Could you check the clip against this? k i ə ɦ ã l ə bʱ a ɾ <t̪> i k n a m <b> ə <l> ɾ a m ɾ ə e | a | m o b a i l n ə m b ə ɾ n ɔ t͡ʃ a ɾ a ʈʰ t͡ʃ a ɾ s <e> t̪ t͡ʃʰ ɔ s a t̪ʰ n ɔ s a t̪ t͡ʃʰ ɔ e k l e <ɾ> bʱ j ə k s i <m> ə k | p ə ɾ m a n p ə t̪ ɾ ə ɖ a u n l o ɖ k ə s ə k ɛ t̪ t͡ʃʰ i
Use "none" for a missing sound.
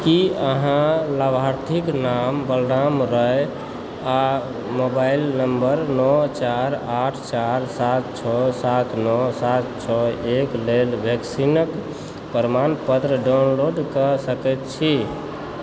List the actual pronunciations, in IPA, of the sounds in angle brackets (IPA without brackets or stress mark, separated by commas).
t̪ʰ, b, l, a, l, n